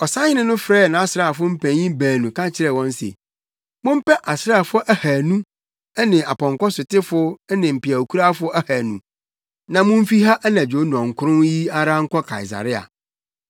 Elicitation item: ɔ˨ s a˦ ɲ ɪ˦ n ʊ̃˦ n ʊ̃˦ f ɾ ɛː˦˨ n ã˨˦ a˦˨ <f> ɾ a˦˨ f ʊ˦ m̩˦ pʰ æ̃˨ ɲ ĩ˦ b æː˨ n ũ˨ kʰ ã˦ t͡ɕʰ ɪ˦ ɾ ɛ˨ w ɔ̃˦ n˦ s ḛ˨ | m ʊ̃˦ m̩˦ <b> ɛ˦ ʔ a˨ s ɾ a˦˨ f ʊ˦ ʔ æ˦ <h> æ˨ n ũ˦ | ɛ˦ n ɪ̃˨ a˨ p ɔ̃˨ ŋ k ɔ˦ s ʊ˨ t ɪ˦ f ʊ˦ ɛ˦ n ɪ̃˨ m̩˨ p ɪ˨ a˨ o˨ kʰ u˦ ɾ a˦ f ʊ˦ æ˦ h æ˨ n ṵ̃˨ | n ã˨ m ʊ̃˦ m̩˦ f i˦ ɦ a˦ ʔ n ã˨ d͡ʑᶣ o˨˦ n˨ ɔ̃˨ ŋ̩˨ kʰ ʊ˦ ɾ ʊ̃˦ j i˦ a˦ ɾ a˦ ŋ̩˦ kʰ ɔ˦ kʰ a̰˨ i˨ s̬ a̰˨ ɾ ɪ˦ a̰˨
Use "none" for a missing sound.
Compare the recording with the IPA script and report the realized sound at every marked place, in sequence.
s, p, h

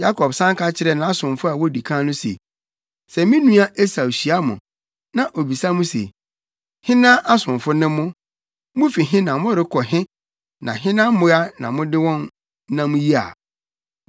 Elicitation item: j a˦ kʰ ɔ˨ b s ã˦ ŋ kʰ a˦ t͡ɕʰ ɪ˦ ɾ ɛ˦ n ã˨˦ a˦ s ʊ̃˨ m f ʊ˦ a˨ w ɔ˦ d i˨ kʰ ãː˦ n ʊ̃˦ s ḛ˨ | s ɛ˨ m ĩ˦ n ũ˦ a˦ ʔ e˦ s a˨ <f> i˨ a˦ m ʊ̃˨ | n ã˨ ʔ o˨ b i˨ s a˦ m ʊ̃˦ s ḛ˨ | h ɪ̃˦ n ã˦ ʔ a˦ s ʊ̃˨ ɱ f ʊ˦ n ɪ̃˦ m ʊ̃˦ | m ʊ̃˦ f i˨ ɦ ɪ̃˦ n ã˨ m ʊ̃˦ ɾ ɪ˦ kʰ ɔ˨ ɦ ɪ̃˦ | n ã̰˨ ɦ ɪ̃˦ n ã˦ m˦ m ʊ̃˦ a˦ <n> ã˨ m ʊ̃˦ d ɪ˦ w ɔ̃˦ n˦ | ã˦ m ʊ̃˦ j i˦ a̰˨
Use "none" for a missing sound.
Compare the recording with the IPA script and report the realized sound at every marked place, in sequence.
ɕ, n

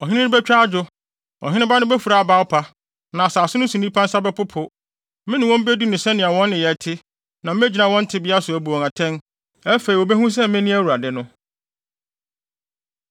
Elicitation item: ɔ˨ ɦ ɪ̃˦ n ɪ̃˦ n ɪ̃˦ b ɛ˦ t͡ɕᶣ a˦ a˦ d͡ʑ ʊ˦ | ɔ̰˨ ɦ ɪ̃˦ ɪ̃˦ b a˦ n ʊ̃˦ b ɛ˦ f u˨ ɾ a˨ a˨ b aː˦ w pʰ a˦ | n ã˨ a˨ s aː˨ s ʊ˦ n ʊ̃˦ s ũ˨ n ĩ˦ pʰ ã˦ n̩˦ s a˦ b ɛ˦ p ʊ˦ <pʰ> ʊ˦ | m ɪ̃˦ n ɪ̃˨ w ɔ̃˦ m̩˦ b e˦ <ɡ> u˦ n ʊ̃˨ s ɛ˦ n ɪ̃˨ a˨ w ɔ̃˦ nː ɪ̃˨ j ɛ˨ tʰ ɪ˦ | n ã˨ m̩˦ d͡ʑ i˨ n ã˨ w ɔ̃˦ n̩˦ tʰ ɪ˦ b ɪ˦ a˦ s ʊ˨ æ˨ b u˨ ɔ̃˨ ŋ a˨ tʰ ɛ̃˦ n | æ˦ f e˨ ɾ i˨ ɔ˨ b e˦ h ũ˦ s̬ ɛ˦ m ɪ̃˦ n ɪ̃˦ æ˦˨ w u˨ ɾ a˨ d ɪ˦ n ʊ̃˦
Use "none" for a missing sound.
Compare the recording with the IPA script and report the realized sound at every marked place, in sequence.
pʰ, d

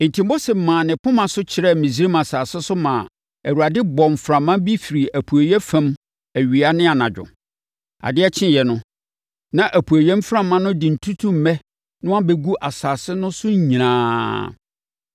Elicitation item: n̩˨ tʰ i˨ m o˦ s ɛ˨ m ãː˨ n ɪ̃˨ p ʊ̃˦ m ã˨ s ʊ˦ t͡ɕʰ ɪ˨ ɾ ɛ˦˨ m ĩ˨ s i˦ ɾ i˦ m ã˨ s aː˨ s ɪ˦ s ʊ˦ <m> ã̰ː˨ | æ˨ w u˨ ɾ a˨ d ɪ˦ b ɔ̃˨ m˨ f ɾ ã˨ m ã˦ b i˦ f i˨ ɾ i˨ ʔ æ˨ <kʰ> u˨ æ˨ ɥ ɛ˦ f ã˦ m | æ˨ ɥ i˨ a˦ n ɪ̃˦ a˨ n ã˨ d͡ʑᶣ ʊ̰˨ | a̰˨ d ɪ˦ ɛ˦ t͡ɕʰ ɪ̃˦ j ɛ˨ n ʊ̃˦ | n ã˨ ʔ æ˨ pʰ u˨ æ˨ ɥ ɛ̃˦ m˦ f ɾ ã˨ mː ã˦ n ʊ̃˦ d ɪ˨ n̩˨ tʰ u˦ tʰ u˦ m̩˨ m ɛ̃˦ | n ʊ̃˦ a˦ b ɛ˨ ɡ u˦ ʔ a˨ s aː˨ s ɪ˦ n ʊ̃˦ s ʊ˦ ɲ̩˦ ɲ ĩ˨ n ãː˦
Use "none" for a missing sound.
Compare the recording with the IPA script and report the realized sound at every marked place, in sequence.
m, pʰ

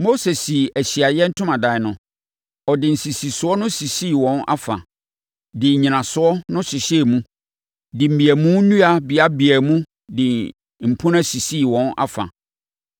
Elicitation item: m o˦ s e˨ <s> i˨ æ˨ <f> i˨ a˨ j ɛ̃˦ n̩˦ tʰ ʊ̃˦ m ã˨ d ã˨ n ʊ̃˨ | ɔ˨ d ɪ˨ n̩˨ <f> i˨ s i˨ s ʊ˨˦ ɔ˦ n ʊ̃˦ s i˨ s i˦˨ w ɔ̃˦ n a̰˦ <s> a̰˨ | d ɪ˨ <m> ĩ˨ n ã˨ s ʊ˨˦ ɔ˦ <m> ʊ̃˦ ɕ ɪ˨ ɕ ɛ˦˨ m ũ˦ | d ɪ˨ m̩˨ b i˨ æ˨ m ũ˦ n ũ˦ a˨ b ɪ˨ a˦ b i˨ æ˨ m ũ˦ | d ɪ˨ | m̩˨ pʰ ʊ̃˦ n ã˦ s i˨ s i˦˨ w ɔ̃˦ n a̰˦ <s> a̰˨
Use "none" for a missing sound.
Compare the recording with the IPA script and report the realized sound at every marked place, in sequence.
s, ɕ, s, f, ɲ, n, f

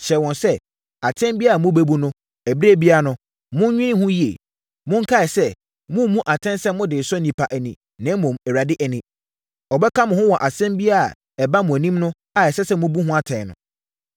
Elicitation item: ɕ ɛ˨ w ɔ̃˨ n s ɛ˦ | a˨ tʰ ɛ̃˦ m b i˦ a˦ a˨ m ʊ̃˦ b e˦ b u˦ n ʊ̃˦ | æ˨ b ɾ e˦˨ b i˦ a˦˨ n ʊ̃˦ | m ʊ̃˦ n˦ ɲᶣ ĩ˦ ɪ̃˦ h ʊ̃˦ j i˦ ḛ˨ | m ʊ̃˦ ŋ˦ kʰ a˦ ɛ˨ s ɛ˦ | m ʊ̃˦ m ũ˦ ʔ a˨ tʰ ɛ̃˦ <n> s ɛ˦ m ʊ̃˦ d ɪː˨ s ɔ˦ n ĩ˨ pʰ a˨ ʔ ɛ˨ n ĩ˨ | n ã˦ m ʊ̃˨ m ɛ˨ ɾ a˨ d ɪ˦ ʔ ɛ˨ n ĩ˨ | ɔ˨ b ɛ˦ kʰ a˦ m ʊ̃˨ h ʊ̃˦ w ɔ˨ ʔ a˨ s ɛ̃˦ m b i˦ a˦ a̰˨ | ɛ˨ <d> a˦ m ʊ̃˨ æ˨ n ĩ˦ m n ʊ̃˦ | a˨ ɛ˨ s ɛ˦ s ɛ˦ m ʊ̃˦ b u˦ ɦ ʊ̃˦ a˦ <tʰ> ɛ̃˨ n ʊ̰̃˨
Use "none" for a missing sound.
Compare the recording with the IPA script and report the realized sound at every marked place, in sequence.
n, b, tʰ

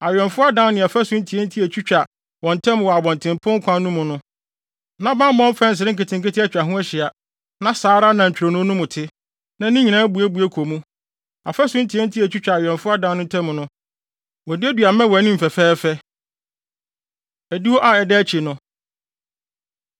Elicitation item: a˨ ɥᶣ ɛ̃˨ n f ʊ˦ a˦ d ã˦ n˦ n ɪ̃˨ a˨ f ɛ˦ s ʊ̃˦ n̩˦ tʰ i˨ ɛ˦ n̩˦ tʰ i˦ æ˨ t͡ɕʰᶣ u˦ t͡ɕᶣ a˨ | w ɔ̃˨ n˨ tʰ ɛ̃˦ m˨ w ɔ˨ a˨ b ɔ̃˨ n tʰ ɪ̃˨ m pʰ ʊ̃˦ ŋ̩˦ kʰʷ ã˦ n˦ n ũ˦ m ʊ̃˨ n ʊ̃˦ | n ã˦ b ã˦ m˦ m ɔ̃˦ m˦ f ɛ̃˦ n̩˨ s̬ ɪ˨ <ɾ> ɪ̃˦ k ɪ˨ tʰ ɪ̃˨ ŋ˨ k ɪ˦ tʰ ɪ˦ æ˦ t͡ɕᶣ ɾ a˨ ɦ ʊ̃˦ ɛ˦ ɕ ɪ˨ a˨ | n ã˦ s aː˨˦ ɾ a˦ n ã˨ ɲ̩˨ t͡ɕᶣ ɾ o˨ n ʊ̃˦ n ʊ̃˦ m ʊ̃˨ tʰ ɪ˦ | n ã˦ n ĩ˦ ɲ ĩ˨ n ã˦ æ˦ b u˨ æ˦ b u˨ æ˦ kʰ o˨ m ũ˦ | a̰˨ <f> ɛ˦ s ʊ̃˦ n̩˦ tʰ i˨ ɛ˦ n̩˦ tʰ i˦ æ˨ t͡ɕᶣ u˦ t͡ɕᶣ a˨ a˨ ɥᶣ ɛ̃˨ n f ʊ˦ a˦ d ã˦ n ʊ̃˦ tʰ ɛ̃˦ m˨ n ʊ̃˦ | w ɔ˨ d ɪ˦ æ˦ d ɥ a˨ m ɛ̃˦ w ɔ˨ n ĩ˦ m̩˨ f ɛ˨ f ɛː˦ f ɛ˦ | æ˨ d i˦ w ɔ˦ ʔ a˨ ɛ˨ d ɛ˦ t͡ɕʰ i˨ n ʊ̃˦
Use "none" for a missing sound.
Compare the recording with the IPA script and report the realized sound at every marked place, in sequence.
ɾ, f

